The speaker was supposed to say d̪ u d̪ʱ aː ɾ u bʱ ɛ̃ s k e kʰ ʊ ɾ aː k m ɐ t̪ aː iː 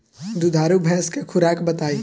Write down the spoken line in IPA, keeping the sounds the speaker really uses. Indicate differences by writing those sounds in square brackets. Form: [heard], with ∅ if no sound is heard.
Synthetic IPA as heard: d̪ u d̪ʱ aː ɾ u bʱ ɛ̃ s k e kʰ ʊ ɾ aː k [b] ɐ t̪ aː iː